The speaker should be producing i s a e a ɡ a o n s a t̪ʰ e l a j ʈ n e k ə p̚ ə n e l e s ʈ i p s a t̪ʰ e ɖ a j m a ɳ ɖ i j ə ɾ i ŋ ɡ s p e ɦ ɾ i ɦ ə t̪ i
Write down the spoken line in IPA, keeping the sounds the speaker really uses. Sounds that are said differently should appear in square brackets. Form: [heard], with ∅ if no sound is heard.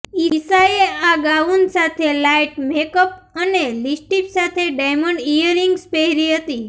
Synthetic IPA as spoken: i s a e a ɡ a [u] n s a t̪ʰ e l a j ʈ [m] e k ə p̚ ə n e l [i] s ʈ i p s a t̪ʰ e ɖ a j m [ə] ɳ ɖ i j ə ɾ i ŋ ɡ s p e ɦ ɾ i ɦ ə t̪ i